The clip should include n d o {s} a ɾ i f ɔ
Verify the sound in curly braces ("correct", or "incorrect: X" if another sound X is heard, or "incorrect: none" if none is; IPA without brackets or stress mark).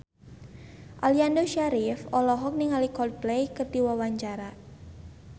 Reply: incorrect: ʃ